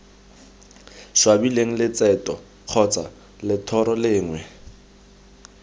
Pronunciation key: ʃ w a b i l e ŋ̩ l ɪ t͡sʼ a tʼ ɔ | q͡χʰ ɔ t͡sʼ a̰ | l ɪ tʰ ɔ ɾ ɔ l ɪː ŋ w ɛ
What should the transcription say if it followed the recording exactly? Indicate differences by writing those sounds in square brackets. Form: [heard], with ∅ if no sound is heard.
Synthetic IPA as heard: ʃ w a b i l e ŋ̩ l ɪ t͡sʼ [ɛ] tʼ ɔ | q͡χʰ ɔ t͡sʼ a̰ | l ɪ tʰ ɔ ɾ ɔ l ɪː ŋ w ɛ